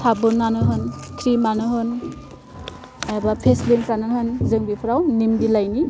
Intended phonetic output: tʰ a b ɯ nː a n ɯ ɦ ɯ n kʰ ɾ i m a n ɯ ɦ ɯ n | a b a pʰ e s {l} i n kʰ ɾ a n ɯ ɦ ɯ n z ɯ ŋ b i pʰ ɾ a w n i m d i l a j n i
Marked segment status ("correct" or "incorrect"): correct